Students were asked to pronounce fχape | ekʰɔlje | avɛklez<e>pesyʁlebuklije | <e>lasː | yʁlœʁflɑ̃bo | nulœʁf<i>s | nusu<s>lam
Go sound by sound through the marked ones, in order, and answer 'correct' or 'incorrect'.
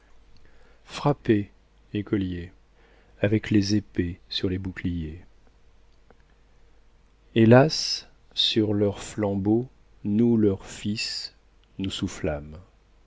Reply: correct, correct, correct, incorrect: f

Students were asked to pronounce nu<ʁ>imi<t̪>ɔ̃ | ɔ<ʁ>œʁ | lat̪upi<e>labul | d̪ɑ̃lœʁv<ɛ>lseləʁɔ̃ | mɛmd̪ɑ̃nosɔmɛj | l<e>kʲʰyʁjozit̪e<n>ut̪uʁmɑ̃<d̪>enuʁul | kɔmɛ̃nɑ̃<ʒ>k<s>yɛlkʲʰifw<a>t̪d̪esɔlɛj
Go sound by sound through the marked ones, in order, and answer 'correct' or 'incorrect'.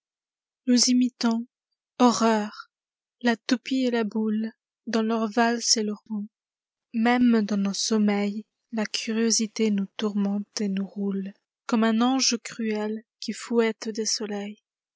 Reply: incorrect: z, correct, correct, correct, incorrect: a, incorrect: a, correct, incorrect: t̪, correct, incorrect: χ, incorrect: ɛ

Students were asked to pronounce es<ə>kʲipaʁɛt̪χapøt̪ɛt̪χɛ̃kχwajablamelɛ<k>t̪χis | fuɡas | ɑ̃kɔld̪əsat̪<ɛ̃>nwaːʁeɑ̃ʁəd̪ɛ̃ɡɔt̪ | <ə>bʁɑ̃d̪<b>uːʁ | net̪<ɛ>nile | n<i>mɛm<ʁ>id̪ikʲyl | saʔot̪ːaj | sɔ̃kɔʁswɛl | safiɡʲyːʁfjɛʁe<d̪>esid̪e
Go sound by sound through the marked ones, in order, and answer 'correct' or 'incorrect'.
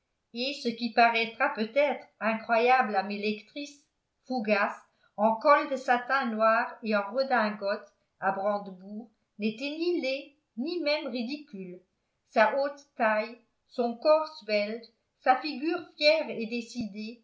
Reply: correct, correct, correct, incorrect: a, correct, correct, correct, correct, correct

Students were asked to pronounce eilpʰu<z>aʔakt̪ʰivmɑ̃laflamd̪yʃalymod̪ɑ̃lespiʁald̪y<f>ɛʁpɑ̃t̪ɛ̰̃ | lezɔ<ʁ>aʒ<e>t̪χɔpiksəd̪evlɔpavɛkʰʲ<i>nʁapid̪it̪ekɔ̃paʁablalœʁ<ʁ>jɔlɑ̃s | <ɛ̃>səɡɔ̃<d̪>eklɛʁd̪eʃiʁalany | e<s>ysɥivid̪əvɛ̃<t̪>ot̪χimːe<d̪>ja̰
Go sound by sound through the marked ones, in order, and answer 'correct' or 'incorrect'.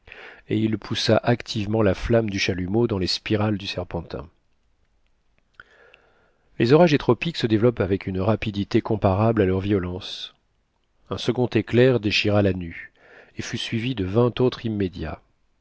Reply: incorrect: s, incorrect: s, correct, correct, incorrect: y, incorrect: v, correct, incorrect: t̪, incorrect: f, correct, correct

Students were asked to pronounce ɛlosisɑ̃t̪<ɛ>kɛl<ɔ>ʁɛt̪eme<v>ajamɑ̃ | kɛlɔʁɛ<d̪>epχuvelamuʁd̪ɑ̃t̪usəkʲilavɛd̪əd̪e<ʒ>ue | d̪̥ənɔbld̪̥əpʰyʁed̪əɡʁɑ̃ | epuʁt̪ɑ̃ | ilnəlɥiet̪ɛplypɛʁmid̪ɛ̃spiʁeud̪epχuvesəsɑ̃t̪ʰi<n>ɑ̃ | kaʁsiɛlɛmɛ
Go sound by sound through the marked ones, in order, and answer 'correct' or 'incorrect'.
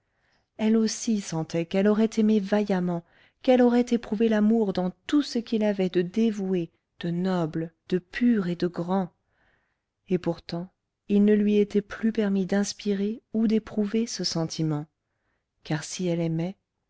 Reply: correct, correct, correct, incorrect: t̪, incorrect: v, incorrect: m

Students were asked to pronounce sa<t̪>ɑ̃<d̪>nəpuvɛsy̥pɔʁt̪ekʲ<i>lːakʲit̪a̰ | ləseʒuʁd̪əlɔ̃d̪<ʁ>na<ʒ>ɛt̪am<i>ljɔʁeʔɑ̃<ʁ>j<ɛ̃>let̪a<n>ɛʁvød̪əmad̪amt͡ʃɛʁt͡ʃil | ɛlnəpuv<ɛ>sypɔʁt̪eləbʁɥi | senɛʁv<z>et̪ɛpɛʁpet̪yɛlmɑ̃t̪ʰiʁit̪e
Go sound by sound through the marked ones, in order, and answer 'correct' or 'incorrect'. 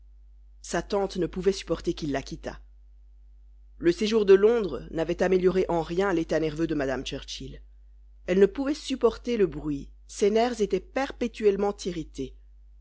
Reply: correct, incorrect: t̪, correct, correct, incorrect: v, incorrect: e, correct, correct, correct, correct, correct

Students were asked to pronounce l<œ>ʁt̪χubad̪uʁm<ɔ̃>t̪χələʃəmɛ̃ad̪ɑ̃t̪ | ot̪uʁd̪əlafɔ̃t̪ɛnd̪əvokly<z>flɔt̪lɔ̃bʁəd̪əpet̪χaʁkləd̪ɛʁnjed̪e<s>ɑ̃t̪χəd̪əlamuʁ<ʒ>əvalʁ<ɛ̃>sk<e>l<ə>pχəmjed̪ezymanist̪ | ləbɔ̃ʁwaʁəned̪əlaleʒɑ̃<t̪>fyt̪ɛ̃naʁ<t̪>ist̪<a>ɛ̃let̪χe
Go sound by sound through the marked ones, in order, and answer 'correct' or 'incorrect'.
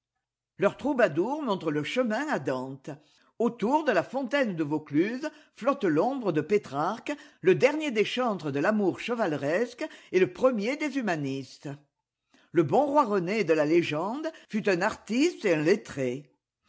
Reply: correct, correct, correct, incorrect: ʃ, incorrect: ʃ, incorrect: ɛ, correct, correct, incorrect: d̪, correct, incorrect: e

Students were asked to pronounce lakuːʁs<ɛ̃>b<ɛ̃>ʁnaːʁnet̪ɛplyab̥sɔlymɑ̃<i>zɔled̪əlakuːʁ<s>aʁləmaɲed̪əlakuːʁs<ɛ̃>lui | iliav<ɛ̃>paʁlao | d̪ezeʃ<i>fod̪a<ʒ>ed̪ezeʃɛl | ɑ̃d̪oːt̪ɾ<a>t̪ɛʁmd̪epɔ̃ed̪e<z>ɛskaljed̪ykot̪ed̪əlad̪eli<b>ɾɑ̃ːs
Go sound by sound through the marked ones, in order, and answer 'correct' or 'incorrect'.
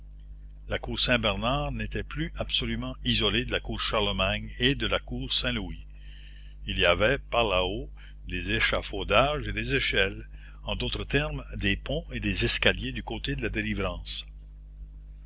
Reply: correct, incorrect: ɛ, correct, incorrect: ʃ, correct, incorrect: ɛ, incorrect: a, correct, incorrect: ə, correct, incorrect: v

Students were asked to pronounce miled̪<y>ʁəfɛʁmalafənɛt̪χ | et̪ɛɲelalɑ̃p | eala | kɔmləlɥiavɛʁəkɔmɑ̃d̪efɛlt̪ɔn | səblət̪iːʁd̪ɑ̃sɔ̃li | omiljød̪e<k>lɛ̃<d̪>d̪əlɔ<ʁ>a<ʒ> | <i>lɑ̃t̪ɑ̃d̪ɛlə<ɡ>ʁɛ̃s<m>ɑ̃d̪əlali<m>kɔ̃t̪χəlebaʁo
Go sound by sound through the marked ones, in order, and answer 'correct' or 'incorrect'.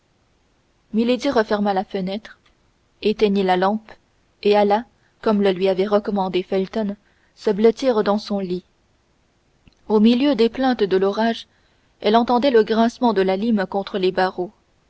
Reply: incorrect: i, incorrect: p, incorrect: t̪, correct, correct, incorrect: ɛ, correct, correct, correct

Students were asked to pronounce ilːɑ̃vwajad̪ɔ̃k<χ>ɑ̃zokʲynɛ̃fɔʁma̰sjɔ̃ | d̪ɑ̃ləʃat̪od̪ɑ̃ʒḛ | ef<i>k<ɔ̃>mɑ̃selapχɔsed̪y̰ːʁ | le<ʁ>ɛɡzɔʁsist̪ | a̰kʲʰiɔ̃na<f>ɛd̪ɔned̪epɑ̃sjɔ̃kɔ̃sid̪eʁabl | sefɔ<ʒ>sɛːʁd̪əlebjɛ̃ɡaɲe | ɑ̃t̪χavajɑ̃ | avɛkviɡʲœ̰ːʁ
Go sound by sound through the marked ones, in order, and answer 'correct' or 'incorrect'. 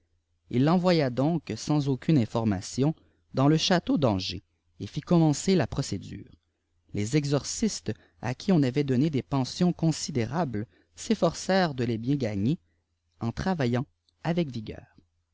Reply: incorrect: s, correct, incorrect: ɔ, incorrect: z, incorrect: v, incorrect: ʁ

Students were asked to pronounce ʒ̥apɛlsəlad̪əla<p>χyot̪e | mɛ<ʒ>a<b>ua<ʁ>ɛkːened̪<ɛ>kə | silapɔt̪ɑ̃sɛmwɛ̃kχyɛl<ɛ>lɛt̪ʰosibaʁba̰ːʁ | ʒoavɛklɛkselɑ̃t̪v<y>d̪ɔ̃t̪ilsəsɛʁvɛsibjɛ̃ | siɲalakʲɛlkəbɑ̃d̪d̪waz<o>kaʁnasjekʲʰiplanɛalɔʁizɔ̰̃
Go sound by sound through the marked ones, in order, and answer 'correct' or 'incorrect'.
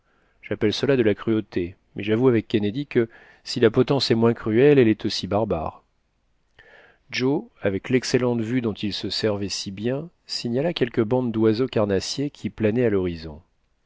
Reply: incorrect: k, correct, incorrect: v, incorrect: v, incorrect: i, correct, correct, correct

